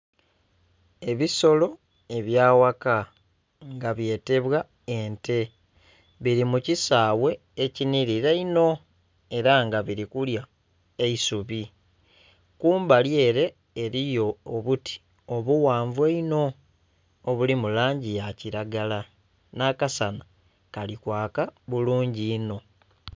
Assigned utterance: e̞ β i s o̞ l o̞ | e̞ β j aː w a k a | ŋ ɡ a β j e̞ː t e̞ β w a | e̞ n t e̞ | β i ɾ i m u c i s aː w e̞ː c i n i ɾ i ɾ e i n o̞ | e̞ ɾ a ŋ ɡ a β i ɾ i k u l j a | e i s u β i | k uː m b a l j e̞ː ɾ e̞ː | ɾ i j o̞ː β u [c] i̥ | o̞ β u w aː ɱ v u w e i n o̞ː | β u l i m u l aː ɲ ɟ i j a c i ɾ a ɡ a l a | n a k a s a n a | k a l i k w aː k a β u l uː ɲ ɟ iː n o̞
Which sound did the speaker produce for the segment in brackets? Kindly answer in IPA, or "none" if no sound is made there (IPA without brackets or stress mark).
t